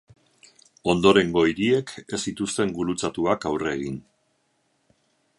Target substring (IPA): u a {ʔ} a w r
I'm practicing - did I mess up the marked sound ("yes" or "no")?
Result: yes